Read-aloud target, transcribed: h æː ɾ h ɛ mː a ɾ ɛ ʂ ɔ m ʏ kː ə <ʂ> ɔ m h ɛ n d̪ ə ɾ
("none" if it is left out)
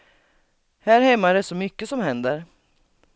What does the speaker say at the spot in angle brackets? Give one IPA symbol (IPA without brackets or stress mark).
s